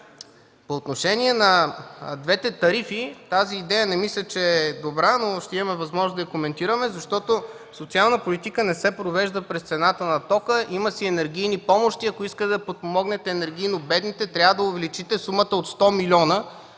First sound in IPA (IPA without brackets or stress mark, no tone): p